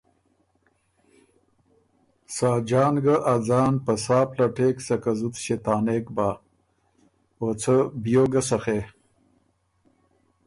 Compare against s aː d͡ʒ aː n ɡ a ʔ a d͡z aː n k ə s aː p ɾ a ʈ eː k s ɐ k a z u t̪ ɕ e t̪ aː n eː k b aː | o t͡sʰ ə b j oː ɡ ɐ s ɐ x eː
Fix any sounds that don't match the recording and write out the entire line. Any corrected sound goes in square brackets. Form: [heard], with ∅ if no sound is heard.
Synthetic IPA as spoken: s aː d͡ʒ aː n ɡ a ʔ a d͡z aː n [p] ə s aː p [l] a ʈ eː k s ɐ k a z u t̪ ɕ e t̪ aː n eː k b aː | o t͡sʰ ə b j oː ɡ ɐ s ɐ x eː